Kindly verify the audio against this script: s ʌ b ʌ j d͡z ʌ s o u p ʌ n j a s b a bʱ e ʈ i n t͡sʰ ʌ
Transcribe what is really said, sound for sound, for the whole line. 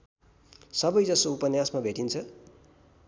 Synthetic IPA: s ʌ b ʌ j d͡z ʌ s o u p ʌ n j a s m a bʱ e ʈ i n t͡sʰ ʌ